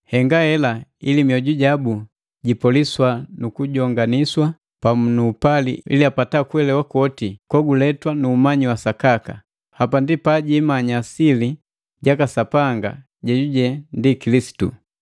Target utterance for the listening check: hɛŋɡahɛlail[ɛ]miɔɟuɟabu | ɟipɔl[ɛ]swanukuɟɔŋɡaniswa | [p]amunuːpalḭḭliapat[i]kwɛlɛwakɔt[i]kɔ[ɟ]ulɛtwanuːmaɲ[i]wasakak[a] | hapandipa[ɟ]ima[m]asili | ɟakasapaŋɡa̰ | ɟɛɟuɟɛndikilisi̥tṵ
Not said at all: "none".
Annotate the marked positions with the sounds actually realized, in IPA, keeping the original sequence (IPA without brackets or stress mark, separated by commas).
i, i, p, a, i, ɡ, i, a, ɟ, ɲ